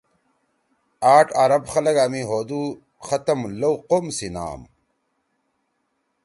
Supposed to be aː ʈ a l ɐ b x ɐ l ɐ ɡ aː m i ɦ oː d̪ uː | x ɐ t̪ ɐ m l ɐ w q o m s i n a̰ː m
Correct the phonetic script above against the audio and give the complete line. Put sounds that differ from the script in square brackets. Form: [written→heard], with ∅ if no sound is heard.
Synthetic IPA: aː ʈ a [l→ɾ] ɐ b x ɐ l ɐ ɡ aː m i ɦ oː d̪ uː | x ɐ t̪ ɐ m l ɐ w q o m s i n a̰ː m